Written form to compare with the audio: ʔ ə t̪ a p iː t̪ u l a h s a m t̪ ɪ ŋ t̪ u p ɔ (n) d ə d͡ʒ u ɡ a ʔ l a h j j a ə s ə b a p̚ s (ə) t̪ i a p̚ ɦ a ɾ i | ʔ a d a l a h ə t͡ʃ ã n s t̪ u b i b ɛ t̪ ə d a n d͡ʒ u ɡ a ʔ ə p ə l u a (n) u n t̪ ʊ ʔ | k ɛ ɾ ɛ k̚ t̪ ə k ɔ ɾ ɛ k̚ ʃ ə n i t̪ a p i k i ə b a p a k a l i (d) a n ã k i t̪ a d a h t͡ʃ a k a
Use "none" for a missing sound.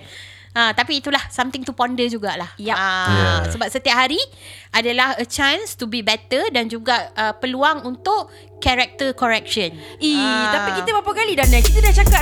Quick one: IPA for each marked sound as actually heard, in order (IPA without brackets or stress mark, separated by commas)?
n, ə, ŋ, d